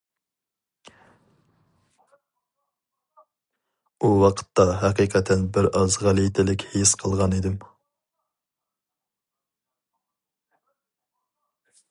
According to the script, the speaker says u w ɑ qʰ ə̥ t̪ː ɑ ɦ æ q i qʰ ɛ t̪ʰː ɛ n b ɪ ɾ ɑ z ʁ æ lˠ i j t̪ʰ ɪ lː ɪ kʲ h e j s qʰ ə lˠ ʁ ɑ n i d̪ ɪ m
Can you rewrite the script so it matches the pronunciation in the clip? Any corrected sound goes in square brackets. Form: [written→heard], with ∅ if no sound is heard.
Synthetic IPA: u w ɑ qʰ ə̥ t̪ː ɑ ɦ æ q i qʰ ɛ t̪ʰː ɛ n b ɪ ɾ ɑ z ʁ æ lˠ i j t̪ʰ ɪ [lː→l] ɪ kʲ h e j s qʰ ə lˠ ʁ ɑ n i d̪ ɪ m